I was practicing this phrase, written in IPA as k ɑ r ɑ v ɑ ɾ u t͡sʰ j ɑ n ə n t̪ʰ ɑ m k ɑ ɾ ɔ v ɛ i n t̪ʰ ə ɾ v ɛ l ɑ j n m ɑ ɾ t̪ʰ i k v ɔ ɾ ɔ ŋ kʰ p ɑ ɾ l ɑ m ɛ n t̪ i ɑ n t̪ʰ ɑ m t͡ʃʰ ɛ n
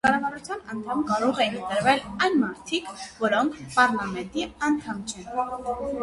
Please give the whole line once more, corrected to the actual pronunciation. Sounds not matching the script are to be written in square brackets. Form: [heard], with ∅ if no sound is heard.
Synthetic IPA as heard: k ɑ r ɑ v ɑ ɾ u t͡sʰ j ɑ n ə n t̪ʰ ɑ m k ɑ ɾ ɔ [ʁ] ɛ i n [t̪] ə ɾ v ɛ l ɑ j n m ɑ ɾ t̪ʰ i k v ɔ ɾ ɔ ŋ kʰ p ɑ ɾ l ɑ m ɛ n t̪ i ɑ n t̪ʰ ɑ m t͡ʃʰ ɛ n